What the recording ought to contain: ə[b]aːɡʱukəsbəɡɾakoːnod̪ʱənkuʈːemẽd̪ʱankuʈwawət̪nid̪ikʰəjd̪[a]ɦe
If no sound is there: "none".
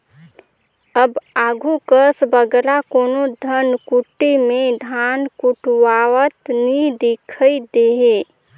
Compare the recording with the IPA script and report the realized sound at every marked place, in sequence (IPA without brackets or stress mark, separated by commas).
b, e